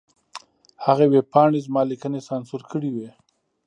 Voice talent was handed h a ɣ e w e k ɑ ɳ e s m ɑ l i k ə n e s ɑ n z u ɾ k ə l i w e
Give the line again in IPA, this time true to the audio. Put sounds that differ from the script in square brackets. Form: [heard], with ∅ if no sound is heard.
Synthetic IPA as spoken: h a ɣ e w e [p] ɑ ɳ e [z] m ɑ l i k ə n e s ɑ n [s] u ɾ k ə [ɽ] i w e